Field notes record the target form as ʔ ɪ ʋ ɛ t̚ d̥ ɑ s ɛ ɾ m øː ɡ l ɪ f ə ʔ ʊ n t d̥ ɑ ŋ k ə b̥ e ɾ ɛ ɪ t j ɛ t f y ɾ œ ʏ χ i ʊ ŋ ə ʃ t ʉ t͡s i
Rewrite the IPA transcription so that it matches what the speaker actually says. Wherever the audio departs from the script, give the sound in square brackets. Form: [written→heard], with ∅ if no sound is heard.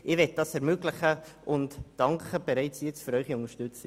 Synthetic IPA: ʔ ɪ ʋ ɛ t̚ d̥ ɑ s ɛ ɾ m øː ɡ l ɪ [f→χ] ə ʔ ʊ n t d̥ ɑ ŋ k ə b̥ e ɾ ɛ ɪ [t→t͡s] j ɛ [t→t͡s] f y ɾ œ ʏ χ i ʊ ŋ ə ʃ t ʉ t͡s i